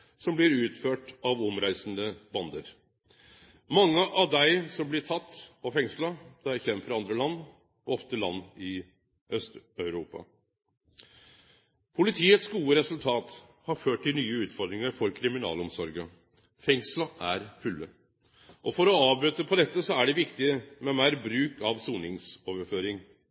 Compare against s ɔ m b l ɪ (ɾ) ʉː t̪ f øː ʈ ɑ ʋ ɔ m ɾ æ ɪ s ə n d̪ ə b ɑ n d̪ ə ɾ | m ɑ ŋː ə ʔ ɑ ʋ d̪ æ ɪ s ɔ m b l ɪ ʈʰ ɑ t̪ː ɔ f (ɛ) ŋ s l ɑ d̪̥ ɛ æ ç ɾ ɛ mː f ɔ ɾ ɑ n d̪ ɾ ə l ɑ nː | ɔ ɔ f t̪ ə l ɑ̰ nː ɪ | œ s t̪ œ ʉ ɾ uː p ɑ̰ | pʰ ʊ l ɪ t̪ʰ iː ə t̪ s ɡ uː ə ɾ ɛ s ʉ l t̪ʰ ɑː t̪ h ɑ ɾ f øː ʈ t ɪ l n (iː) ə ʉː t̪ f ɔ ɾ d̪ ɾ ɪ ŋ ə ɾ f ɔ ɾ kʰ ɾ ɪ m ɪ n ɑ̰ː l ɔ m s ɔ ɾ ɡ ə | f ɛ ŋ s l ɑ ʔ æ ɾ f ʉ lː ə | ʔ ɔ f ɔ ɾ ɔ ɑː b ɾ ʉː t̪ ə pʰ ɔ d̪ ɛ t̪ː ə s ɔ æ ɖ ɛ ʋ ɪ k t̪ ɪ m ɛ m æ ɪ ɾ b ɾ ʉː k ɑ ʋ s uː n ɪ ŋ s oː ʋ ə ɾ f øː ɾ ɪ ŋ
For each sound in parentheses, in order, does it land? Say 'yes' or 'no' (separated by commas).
yes, yes, no